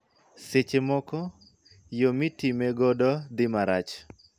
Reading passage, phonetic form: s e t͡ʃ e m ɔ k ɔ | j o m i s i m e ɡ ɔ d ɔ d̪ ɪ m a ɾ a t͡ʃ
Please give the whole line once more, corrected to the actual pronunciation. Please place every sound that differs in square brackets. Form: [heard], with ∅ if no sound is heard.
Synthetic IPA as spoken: s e t͡ʃ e m ɔ k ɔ | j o m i [t] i m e ɡ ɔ d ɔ d̪ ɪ m a ɾ a t͡ʃ